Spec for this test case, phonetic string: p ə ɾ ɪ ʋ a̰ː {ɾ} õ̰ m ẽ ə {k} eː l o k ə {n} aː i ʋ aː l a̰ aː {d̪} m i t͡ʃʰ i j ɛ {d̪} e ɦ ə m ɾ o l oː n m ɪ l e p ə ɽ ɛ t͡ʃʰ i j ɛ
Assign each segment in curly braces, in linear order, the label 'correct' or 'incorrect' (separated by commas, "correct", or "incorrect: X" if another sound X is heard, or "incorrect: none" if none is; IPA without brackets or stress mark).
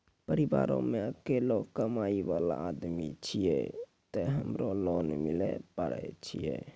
correct, correct, incorrect: m, correct, incorrect: t̪